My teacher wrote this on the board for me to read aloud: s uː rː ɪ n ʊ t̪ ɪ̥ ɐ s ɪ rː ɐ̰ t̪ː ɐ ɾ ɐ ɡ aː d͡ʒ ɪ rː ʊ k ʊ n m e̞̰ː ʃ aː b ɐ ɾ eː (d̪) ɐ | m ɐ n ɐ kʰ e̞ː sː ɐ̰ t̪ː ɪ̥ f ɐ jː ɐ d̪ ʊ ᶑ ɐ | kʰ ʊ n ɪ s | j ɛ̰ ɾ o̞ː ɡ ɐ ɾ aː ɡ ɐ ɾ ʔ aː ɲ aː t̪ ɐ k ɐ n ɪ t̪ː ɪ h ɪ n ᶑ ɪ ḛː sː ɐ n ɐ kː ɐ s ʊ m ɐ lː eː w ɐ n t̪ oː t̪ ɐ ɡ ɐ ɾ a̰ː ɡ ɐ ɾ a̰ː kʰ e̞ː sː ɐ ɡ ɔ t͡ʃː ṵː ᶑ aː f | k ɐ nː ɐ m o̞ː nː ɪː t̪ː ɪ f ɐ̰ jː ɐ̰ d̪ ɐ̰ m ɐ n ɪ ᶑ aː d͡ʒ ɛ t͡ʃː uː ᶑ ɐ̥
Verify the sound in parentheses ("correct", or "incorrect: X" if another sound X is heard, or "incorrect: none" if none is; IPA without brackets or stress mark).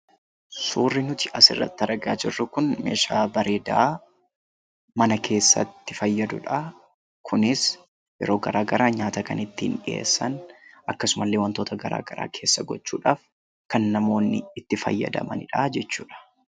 correct